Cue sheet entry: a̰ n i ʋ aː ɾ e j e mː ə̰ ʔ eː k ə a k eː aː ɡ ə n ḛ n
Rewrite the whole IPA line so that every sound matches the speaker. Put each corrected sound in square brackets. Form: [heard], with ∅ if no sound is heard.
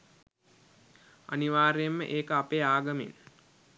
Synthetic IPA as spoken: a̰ n i ʋ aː ɾ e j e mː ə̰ ʔ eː k ə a [p] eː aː ɡ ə [m] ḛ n